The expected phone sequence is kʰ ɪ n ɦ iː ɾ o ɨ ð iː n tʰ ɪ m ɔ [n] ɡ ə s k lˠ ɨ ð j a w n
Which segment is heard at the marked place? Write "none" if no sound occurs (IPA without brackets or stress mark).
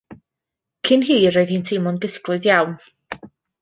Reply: n